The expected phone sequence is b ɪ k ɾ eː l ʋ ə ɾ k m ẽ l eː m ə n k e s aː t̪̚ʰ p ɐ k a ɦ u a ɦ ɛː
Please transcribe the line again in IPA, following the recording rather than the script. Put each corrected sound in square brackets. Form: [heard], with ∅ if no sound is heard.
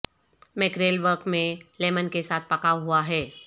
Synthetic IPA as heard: [m] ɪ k ɾ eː l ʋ ə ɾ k m ẽ l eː m ə n k e s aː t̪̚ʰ p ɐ k a ɦ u a ɦ ɛː